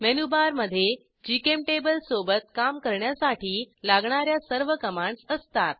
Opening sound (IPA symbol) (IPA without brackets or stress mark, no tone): m